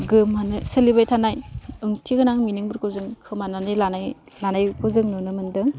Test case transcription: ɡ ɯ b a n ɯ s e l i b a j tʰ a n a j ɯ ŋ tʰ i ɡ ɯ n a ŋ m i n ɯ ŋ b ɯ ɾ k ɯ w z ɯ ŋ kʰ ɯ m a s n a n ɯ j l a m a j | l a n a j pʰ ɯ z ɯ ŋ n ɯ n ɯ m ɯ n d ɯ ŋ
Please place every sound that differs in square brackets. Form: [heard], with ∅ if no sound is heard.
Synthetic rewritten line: ɡ ɯ [m] a n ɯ s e l i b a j tʰ a n a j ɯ ŋ tʰ i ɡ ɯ n a ŋ m i n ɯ ŋ b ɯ ɾ k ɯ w z ɯ ŋ kʰ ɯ m a [∅] n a n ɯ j l a [n] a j | l a n a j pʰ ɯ z ɯ ŋ n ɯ n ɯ m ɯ n d ɯ ŋ